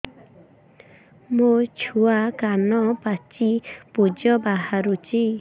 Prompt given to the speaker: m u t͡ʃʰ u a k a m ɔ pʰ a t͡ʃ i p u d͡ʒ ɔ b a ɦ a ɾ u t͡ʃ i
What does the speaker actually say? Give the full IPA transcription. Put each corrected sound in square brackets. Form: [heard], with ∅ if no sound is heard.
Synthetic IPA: m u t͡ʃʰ u a k a [n] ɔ [p] a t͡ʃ i p u d͡ʒ ɔ b a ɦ a ɾ u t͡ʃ i